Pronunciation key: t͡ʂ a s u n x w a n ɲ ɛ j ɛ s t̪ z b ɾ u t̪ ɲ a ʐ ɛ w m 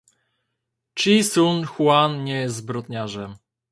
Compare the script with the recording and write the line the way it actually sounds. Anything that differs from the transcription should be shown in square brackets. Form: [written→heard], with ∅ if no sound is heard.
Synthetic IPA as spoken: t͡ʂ [a→i] s u n x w a n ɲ ɛ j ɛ s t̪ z b ɾ [u→ɔ] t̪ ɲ a ʐ ɛ [w→∅] m